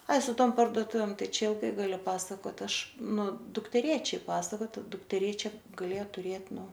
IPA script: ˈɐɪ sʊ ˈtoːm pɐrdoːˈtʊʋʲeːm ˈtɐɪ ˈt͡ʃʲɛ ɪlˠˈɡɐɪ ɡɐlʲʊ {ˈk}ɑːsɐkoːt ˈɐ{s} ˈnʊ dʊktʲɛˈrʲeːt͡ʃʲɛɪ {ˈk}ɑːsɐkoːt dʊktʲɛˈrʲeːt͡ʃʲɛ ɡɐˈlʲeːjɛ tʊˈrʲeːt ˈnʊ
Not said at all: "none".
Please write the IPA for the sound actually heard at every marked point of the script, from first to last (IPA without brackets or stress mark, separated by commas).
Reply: p, ʃ, p